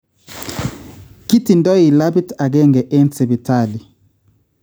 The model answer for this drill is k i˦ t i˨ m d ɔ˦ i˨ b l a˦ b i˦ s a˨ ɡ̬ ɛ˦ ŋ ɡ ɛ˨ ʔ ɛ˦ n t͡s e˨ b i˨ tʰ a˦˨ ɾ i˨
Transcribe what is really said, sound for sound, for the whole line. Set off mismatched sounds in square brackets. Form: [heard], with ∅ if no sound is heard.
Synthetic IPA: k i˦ t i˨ [n] d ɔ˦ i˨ [∅] l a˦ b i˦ [t] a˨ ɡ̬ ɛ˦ ŋ ɡ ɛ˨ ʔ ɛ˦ n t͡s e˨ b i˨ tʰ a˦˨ [l] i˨